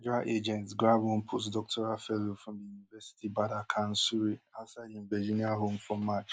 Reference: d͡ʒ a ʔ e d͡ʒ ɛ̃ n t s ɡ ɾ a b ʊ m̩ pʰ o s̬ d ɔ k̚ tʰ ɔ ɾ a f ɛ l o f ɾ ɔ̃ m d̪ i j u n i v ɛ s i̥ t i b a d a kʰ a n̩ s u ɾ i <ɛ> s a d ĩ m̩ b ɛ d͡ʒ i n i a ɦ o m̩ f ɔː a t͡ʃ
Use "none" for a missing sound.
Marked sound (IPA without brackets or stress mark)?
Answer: a